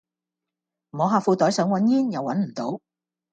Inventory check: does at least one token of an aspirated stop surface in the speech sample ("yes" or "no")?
no